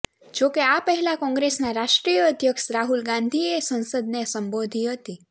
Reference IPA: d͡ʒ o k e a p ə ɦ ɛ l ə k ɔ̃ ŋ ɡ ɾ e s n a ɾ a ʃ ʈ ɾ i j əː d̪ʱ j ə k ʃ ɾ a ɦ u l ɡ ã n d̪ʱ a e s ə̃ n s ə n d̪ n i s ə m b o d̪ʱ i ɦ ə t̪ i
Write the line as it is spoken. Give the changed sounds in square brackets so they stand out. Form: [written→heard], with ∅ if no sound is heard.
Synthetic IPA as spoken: d͡ʒ o k e a p ə ɦ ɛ l [ə→a] k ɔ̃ ŋ ɡ ɾ e s n a ɾ a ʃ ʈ ɾ i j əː d̪ʱ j ə k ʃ ɾ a ɦ u l ɡ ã n d̪ʱ [a→i] e s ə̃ n s ə [n→∅] d̪ n [i→e] s ə m b o d̪ʱ i ɦ ə t̪ i